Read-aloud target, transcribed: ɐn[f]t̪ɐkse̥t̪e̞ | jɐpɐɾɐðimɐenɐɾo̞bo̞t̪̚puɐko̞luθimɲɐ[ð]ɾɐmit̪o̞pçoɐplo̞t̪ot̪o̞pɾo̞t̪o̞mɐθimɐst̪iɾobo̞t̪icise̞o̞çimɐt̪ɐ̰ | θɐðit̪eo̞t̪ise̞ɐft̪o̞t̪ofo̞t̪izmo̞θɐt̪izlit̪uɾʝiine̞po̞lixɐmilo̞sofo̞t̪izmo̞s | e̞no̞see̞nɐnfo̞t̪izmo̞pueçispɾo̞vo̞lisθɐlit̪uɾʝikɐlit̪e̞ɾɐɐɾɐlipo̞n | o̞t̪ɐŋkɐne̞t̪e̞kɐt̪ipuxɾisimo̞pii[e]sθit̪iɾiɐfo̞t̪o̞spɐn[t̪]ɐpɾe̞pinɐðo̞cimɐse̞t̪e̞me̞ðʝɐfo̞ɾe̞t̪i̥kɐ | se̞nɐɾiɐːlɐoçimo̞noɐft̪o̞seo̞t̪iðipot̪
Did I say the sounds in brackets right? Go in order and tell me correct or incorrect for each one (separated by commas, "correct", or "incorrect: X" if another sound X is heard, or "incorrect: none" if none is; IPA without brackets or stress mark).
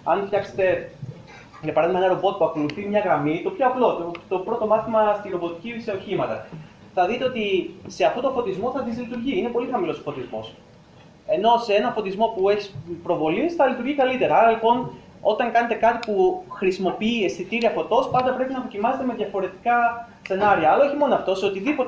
correct, incorrect: ɣ, correct, incorrect: d̪